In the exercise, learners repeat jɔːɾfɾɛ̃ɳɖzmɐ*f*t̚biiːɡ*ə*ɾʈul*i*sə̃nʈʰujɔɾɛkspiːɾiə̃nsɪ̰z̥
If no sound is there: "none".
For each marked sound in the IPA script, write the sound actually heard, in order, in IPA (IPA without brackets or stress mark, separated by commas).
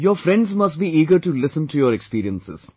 s, ə, ɪ